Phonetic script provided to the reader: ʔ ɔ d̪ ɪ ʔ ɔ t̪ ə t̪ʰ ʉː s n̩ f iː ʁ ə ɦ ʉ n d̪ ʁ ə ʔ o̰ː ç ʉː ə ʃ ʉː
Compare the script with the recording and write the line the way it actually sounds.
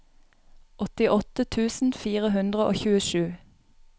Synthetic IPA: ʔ ɔ t̪ ɪ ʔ ɔ t̪ ə t̪ʰ ʉː s n̩ f iː ʁ ə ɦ ʉ n d̪ ʁ ə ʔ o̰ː ç ʉː ə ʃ ʉː